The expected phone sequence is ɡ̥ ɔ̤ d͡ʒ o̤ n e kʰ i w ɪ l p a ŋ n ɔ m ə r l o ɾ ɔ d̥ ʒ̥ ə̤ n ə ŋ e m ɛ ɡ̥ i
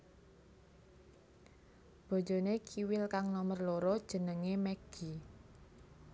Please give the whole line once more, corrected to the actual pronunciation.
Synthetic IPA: b̥ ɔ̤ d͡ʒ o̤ n e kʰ i w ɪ l k a ŋ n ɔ m ə r l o ɾ ɔ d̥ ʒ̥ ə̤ n ə ŋ e m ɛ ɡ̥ i